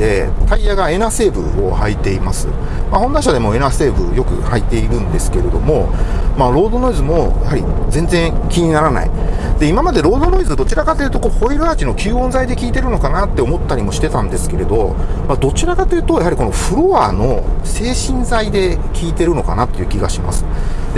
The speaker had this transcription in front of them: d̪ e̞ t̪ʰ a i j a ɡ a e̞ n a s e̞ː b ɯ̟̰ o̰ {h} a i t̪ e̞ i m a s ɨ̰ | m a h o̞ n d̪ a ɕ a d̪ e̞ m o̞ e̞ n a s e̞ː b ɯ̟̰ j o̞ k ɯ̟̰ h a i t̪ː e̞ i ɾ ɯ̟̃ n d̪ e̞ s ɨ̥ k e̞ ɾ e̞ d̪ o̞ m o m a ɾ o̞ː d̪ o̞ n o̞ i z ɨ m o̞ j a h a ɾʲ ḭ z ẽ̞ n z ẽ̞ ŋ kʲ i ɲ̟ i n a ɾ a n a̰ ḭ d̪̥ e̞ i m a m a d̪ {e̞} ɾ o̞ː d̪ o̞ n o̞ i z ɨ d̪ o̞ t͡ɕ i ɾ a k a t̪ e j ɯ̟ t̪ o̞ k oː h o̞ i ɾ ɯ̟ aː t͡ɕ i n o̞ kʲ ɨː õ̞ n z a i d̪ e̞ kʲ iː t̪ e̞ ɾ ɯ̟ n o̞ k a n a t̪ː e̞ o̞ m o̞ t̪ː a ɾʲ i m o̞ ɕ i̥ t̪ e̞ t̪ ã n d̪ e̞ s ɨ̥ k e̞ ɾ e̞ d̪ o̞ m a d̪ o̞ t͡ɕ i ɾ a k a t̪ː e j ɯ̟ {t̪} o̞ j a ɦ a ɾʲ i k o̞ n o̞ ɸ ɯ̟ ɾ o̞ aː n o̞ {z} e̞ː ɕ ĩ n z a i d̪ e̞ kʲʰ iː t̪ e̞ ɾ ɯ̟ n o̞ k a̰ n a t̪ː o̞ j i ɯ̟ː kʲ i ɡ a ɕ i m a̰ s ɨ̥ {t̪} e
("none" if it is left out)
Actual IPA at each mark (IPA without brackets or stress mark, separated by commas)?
h, e̞, t̪, s, d̪